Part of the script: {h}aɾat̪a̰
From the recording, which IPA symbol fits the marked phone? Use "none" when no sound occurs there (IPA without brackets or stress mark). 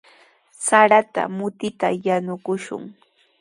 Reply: s